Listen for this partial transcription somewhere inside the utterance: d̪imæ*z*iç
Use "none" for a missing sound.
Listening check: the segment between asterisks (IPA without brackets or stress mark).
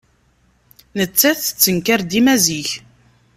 z